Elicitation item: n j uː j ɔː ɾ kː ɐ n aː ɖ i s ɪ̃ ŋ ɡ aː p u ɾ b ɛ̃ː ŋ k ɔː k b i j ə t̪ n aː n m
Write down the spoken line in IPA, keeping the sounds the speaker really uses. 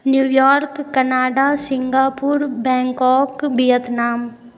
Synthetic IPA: n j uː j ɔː ɾ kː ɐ n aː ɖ a s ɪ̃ ŋ ɡ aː p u ɾ b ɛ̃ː ŋ k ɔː k b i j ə t̪ n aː m